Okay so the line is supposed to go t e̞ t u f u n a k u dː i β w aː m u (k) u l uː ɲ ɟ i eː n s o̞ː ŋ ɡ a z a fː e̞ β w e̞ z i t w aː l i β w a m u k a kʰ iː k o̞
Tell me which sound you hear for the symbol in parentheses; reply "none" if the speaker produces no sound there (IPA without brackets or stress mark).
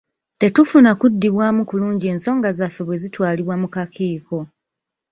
k